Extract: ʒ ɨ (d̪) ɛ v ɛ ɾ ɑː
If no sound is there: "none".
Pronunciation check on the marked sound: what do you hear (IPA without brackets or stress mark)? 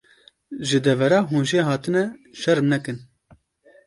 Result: d̪